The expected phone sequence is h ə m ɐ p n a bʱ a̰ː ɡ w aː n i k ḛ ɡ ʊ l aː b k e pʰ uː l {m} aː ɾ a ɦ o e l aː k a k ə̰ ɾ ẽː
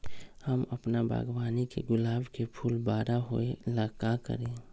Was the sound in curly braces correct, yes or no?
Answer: no